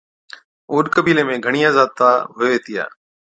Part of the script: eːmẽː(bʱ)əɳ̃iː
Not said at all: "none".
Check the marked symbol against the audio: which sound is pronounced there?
ɡʱ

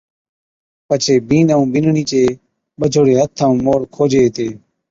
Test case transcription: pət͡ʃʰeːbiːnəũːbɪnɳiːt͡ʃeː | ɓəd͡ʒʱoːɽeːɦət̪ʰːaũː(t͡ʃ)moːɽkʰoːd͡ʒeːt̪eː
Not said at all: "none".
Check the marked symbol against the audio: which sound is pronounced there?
none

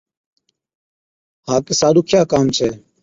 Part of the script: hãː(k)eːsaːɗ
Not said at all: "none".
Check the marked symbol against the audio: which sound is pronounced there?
k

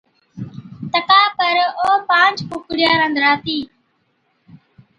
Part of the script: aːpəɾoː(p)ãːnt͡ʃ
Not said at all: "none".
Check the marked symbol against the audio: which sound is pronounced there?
p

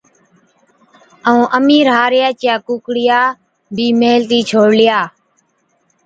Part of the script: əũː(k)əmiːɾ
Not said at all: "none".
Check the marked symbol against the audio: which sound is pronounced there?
ʔ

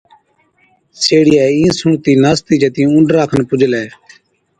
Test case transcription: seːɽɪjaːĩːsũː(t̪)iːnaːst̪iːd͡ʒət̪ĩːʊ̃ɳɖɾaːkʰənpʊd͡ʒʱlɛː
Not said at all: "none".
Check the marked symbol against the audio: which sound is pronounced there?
t̪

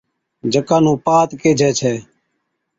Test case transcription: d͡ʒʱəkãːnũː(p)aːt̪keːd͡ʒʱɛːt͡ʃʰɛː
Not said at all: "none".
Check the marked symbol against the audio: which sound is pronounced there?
p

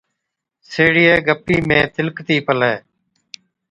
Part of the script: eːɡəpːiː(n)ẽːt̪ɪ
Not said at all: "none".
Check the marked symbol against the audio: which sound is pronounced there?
m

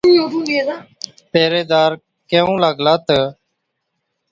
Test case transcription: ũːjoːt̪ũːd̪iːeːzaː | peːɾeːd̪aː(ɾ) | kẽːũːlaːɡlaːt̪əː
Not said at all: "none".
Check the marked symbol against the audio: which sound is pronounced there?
ɾ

